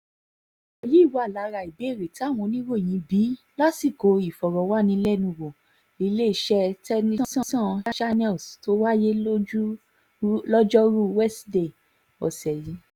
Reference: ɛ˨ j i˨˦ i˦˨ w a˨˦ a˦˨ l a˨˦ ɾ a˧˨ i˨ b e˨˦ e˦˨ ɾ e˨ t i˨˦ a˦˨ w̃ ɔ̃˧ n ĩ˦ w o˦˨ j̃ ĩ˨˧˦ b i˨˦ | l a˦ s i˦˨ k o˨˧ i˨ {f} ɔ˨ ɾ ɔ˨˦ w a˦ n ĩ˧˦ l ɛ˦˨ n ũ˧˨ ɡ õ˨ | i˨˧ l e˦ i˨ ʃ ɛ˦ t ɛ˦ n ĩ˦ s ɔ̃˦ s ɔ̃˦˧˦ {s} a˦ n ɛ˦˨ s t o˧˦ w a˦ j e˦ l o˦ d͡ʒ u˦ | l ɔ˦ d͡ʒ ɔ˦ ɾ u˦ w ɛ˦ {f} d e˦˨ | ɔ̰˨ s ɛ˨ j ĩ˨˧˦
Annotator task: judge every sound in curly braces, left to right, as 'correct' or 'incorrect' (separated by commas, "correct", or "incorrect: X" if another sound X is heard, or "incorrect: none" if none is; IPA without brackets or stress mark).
correct, incorrect: ʃ, incorrect: s